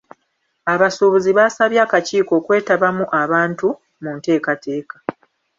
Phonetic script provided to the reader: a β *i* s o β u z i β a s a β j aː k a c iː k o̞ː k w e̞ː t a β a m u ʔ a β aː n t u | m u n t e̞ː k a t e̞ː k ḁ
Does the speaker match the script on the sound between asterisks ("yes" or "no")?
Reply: no